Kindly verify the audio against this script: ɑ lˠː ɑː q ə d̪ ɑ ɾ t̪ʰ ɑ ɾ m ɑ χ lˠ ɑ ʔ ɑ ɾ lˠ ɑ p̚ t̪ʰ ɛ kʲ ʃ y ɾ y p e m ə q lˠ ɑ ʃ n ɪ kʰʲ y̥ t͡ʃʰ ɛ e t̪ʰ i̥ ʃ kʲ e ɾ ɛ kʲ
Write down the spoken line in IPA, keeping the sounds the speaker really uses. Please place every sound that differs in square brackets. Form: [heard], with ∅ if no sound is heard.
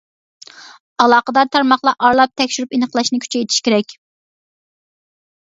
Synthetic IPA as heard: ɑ [lˠ] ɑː q ə d̪ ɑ ɾ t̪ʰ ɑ ɾ m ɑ χ lˠ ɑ ʔ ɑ ɾ lˠ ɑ p̚ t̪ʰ ɛ kʲ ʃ y ɾ y p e [n] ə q lˠ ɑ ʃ n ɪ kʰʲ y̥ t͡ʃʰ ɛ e t̪ʰ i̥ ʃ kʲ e ɾ ɛ kʲ